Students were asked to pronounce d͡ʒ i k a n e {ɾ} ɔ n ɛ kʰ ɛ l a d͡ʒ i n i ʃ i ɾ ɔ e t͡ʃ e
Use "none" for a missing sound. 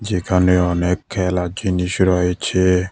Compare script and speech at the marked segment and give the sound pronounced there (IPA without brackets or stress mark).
none